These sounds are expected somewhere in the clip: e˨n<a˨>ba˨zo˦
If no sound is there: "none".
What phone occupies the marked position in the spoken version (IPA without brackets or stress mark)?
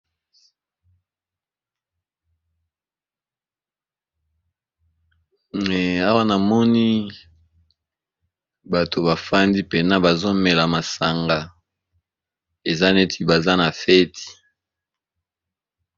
a˦